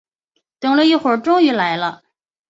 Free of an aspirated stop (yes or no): yes